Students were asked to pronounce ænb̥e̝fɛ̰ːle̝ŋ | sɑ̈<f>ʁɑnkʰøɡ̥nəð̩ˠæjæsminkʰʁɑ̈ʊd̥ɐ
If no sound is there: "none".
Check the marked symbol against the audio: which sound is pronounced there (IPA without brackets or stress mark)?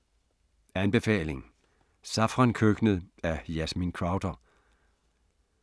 f